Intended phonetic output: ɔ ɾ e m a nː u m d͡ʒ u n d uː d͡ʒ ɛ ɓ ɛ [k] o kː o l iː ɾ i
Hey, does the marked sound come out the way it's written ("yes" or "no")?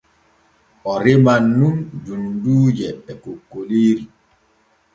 yes